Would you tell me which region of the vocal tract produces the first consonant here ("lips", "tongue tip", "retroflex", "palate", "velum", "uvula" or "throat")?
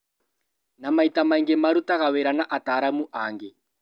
tongue tip